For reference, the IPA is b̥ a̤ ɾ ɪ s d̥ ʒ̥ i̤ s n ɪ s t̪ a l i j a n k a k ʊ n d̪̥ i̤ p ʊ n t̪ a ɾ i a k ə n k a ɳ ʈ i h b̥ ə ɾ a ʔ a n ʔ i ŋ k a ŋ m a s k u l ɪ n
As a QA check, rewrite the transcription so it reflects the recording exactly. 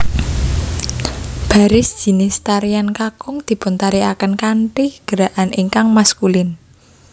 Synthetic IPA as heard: b̥ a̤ ɾ ɪ s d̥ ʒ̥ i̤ n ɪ s t̪ a ɾ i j a n k a k ʊ ŋ d̪̥ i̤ p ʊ n t̪ a ɾ i a k ə n k a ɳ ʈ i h ɡ̥ ə ɾ a ʔ a n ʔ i ŋ k a ŋ m a s k u l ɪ n